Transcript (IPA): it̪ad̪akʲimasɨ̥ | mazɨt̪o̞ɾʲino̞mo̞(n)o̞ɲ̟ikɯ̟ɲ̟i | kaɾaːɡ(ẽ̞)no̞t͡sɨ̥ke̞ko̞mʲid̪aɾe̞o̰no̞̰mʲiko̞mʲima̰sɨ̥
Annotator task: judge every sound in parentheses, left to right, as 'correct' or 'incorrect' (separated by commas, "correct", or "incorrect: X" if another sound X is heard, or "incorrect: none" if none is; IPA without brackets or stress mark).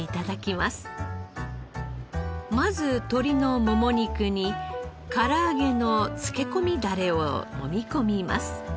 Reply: incorrect: m, incorrect: e̞